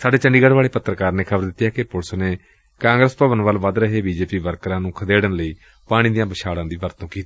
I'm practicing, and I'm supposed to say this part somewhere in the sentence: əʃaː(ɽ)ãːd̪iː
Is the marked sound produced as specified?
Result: yes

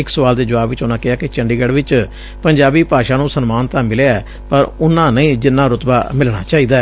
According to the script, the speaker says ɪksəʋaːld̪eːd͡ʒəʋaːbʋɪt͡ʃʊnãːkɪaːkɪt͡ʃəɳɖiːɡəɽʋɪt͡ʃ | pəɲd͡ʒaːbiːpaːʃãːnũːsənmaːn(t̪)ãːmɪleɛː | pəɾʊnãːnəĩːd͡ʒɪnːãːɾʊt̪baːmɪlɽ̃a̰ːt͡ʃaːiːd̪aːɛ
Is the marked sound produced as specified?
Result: yes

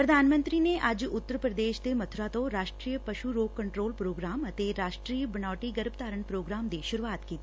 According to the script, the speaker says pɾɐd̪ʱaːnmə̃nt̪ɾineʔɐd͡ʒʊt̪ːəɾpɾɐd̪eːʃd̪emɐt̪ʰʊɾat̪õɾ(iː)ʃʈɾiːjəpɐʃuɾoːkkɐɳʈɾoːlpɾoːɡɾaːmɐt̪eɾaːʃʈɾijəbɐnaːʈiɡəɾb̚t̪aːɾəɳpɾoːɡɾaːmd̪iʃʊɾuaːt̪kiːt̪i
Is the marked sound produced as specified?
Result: no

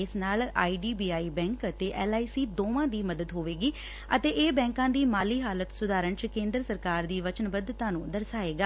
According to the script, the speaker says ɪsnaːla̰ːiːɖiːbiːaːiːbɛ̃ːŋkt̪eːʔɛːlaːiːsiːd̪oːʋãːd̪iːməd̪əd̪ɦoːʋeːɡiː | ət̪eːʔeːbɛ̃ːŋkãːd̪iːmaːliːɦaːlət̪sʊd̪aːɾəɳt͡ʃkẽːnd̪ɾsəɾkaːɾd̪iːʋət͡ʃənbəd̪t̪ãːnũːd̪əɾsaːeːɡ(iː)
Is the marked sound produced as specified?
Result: no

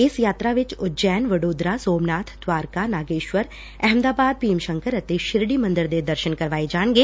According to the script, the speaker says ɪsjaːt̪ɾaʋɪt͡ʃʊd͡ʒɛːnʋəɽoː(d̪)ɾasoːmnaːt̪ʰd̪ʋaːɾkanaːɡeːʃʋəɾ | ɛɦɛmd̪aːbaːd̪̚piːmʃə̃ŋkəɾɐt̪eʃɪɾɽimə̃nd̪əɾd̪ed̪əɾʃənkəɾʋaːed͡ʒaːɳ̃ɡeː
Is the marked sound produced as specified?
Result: yes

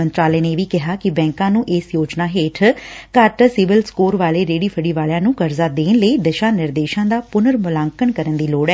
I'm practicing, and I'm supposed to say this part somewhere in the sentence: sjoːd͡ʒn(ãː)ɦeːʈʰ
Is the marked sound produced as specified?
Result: no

